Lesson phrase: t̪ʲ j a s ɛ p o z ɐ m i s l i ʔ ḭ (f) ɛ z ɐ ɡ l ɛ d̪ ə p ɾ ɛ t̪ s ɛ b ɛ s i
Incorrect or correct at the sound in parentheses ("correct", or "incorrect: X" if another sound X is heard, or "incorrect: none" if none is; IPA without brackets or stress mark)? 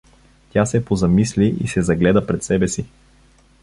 incorrect: s